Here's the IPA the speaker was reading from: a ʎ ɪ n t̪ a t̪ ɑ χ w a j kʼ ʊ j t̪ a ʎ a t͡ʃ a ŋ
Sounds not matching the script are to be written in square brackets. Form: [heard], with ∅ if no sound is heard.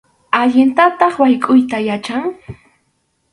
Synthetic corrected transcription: a ʎ ɪ n t̪ a t̪ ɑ χ w a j kʼ ʊ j t̪ a [j] a t͡ʃ a ŋ